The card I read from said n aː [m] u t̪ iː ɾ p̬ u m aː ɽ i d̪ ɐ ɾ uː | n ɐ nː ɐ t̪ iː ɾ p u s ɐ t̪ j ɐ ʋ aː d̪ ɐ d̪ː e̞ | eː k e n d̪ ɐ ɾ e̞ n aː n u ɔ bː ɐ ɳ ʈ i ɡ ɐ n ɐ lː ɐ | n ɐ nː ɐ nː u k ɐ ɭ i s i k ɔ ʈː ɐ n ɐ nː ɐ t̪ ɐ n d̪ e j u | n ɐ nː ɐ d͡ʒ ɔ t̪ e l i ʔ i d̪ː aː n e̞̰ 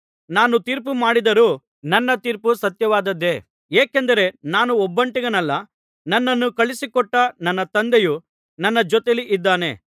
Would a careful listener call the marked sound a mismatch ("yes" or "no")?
yes